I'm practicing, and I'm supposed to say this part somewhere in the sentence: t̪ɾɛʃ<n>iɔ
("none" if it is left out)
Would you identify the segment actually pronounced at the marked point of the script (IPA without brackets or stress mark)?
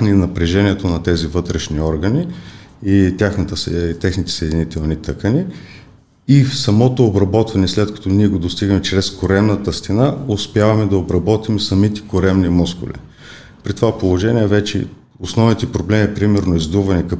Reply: n